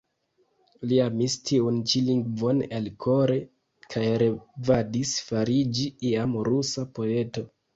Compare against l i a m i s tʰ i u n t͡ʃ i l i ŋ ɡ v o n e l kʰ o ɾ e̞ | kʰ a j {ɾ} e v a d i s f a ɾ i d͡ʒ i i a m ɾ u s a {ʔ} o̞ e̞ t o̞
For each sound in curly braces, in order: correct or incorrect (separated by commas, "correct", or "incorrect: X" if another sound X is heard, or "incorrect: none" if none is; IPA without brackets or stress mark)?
correct, incorrect: p